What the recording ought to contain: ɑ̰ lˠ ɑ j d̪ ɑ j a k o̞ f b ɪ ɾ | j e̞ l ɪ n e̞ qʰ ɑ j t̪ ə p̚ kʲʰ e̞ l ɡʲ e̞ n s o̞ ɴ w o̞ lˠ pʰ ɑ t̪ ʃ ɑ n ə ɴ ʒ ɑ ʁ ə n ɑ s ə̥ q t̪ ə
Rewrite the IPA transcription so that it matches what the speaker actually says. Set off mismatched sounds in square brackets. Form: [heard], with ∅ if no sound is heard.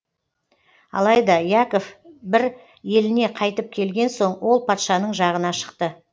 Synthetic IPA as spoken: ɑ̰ lˠ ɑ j d̪ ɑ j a k o̞ f b ɪ ɾ | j e̞ l ɪ n e̞ qʰ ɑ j t̪ ə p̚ kʲʰ e̞ l ɡʲ e̞ n s o̞ ɴ w o̞ lˠ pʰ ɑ t̪ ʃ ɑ n ə ɴ ʒ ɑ ʁ ə n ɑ [ʃ] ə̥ q t̪ ə

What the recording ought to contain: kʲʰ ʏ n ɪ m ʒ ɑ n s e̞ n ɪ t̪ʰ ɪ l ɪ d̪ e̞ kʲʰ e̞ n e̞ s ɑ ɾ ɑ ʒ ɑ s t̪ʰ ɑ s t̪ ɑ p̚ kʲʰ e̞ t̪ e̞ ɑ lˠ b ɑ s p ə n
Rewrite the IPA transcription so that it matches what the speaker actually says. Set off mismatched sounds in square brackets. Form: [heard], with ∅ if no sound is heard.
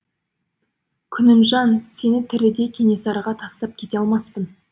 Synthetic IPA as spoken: kʲʰ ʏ n ɪ m ʒ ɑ n s e̞ n ɪ t̪ʰ ɪ [ɾ] ɪ d̪ e̞ kʲʰ e̞ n e̞ s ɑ ɾ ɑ [ʁ] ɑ [∅] t̪ʰ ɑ s t̪ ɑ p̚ kʲʰ e̞ t̪ e̞ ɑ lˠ [m] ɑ s p ə n

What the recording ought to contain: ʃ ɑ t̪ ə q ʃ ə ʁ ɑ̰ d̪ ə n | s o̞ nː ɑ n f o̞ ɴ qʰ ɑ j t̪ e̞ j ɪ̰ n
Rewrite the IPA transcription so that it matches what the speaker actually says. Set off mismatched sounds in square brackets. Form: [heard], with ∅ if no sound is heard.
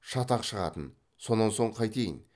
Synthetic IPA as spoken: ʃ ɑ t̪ [ɑ] q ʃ ə ʁ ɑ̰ [t̪] ə n | s o̞ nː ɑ n [s] o̞ ɴ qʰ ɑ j t̪ e̞ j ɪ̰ n

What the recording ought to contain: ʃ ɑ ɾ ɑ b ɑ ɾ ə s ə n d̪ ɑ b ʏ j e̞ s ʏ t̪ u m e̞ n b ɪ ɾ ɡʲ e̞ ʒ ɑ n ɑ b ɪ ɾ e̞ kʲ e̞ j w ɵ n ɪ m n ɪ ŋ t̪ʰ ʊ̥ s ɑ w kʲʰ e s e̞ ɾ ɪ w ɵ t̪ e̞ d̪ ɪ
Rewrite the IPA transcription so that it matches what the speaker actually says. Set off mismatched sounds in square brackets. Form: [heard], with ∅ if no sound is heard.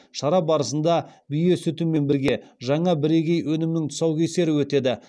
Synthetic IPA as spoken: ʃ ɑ ɾ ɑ b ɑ ɾ ə s ə n d̪ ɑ b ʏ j e̞ s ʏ t̪ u m e̞ n b ɪ ɾ ɡʲ e̞ ʒ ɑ [ɴ] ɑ b ɪ ɾ e̞ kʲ e̞ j w ɵ n ɪ m n ɪ ŋ t̪ʰ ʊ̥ s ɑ w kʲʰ e s e̞ ɾ ɪ w ɵ t̪ e̞ d̪ ɪ

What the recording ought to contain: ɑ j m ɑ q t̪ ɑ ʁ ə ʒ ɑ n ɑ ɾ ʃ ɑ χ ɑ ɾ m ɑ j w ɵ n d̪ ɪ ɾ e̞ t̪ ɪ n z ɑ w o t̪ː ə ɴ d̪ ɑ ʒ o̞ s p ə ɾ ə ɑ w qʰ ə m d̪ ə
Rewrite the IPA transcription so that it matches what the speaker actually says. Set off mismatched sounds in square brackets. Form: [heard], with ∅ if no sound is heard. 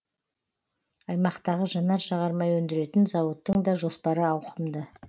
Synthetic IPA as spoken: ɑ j m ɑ q t̪ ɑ ʁ ə ʒ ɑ n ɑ ɾ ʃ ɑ [ʁ] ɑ ɾ m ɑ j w ɵ n d̪ ɪ ɾ e̞ t̪ ɪ n z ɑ w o t̪ː ə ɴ d̪ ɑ ʒ o̞ s p [ɑ] ɾ ə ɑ w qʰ ə m d̪ ə

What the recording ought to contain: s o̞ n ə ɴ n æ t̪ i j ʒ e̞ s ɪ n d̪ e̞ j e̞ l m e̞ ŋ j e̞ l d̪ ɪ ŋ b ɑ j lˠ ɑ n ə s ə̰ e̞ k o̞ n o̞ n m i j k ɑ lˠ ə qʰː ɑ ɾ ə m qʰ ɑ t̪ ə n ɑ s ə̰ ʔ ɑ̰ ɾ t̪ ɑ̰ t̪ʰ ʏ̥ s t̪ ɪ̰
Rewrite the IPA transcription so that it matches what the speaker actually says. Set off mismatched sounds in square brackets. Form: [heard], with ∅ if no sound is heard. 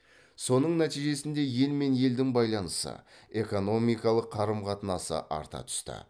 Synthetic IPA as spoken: s o̞ n ə ɴ n æ t̪ i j ʒ e̞ s ɪ n d̪ e̞ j e̞ l m e̞ [n] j e̞ l d̪ ɪ ŋ b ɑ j lˠ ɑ n ə s ə̰ e̞ k o̞ n o̞ [∅] m i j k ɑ lˠ ə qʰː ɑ ɾ ə m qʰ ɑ t̪ ə n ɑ s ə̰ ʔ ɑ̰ ɾ t̪ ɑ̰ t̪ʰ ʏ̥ s t̪ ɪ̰

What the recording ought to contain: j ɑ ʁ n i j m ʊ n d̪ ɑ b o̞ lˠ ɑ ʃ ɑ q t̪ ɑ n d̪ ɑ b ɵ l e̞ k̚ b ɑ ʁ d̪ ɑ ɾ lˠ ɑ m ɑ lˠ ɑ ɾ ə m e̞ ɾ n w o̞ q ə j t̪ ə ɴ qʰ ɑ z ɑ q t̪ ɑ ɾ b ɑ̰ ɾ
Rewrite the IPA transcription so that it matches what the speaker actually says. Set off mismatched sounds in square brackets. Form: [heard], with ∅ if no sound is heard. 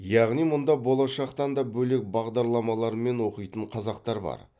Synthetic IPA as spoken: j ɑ ʁ n i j m ʊ n d̪ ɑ b o̞ lˠ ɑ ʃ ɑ q t̪ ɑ n d̪ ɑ b ɵ l e̞ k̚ b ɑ ʁ d̪ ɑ ɾ lˠ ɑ m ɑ lˠ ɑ ɾ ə m e̞ [∅] n w o̞ q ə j t̪ ə ɴ qʰ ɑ z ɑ q t̪ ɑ ɾ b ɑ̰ ɾ

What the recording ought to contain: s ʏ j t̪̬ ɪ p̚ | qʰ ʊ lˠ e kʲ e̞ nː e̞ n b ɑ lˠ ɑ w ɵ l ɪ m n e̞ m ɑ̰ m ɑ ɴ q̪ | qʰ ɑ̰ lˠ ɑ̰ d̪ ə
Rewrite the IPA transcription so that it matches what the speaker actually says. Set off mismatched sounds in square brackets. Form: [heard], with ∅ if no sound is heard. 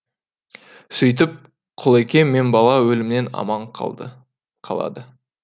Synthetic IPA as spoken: s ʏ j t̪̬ ɪ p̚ | qʰ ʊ lˠ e kʲ e̞ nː e̞ n b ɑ lˠ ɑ w ɵ l ɪ m n e̞ [n] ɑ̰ m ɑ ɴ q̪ | qʰ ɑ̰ lˠ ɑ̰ d̪ ə

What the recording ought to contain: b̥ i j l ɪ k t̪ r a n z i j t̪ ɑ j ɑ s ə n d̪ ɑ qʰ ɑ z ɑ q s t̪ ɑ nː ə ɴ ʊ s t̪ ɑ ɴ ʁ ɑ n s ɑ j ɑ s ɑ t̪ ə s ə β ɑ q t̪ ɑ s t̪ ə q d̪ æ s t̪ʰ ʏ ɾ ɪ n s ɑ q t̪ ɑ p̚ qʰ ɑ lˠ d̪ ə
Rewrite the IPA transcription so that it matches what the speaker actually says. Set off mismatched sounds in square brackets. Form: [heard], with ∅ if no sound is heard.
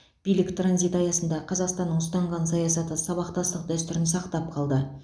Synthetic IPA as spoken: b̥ i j l ɪ k t̪ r a n z i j t̪ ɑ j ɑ s ə n d̪ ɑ qʰ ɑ z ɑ q s t̪ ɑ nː ə ɴ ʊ s t̪ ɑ ɴ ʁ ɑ n s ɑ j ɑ s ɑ t̪ ə s [ɑ] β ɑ q t̪ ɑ s t̪ ə q d̪ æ s [t̪] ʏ ɾ ɪ n s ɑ q t̪ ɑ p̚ qʰ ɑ lˠ d̪ ə

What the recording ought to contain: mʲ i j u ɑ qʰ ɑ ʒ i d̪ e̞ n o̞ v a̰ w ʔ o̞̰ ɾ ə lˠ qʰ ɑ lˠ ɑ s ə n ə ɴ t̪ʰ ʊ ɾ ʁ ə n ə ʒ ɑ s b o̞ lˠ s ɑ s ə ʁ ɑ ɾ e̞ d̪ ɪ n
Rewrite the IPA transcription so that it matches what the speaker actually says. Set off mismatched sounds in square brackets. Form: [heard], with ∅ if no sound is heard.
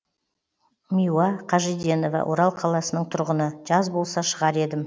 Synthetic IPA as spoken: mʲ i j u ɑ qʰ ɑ ʒ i d̪ e̞ n o̞ v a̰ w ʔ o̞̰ ɾ [ɑ] lˠ qʰ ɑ lˠ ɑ s ə n ə ɴ t̪ʰ ʊ ɾ ʁ ə n ə ʒ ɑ [z] b o̞ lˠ s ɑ [ʃ] ə ʁ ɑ ɾ e̞ d̪ ɪ [m]

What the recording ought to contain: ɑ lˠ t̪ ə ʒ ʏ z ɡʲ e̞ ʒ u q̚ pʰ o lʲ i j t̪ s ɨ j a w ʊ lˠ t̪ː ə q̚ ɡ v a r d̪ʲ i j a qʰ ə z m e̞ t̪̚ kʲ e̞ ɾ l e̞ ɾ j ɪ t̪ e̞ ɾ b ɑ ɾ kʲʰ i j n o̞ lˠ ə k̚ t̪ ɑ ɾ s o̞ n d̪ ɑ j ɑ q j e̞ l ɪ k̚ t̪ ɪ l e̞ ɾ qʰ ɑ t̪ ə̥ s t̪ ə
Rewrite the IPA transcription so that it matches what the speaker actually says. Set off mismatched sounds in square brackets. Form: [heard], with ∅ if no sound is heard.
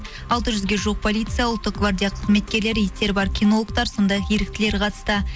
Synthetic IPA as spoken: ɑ lˠ t̪ ə ʒ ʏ z ɡʲ e̞ ʒ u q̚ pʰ o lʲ i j t̪ s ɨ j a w ʊ lˠ t̪ː ə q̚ ɡ v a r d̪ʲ i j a qʰ ə z m e̞ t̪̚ kʲ e̞ ɾ l e̞ ɾ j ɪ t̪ e̞ ɾ b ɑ ɾ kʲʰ i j n o̞ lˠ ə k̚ t̪ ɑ ɾ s o̞ n d̪ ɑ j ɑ q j e̞ [ɾ] ɪ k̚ t̪ ɪ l e̞ ɾ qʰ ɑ t̪ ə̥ s t̪ ə

